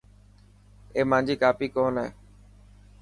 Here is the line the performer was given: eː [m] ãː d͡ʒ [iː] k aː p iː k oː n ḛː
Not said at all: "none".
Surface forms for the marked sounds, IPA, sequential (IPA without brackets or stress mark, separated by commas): m, iː